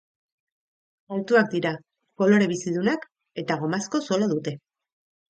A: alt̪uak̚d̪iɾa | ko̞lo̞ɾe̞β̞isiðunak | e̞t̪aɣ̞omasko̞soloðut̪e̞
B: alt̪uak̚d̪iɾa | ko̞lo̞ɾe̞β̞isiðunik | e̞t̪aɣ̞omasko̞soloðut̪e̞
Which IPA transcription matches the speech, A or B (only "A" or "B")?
A